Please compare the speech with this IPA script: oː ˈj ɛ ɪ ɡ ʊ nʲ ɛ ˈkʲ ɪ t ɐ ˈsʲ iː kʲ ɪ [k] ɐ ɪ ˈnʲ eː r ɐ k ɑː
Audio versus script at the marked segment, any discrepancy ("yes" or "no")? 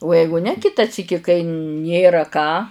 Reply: no